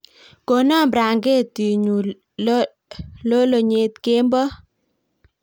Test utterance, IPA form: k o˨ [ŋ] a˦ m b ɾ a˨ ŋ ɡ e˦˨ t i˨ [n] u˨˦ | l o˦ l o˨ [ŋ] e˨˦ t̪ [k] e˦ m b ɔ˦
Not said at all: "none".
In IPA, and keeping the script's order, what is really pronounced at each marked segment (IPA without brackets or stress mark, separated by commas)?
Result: n, ɲ, ɲ, k